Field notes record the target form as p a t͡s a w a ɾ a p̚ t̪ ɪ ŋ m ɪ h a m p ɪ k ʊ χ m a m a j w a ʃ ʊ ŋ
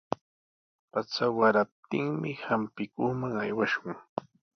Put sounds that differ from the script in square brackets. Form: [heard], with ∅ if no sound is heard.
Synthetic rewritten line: p a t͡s a w a ɾ a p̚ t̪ ɪ ŋ m ɪ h a m p ɪ k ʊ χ m a [ŋ] a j w a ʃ ʊ ŋ